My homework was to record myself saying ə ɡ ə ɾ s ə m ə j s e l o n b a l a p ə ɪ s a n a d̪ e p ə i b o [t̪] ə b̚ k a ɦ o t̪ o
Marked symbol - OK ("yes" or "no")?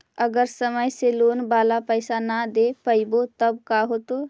yes